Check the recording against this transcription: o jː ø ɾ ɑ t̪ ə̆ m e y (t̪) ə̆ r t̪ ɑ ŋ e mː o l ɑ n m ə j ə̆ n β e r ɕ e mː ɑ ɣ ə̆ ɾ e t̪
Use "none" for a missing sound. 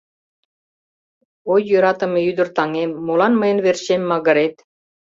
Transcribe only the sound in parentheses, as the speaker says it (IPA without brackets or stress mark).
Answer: d̪